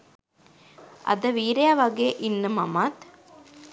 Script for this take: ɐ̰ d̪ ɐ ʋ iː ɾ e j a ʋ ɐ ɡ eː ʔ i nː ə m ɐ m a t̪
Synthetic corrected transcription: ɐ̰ d̪ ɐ ʋ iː ɾ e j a ʋ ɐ ɡ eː ʔ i nː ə m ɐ m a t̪